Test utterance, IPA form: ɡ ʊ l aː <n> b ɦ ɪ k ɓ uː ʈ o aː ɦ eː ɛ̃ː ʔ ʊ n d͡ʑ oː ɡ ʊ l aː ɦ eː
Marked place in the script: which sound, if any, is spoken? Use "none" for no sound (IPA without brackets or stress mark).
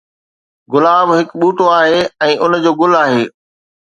none